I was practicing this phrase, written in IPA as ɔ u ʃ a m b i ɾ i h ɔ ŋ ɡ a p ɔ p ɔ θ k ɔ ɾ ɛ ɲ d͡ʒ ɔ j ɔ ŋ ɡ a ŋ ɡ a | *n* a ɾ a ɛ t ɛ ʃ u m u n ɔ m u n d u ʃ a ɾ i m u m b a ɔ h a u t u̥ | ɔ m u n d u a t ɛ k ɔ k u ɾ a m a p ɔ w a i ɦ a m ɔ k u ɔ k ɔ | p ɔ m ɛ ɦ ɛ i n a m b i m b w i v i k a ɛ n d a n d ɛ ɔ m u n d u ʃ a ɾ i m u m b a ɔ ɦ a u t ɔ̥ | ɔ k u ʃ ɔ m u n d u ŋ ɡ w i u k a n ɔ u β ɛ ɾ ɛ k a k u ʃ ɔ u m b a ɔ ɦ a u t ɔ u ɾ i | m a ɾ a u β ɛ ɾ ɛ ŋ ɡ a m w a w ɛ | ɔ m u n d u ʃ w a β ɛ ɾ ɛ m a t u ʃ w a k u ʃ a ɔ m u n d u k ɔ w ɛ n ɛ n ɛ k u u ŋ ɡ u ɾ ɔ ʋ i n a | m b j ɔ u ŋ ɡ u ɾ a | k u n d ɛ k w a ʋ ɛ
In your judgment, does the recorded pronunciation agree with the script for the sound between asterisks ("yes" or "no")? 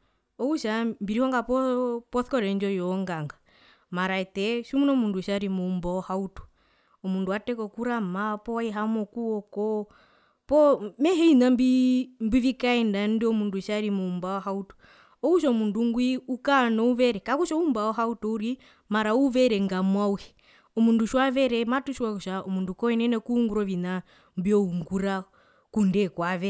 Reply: no